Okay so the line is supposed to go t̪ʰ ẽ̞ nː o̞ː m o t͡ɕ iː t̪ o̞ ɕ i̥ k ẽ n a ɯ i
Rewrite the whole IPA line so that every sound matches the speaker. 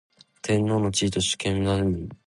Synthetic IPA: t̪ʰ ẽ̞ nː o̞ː n o t͡ɕ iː t̪ o̞ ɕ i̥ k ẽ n a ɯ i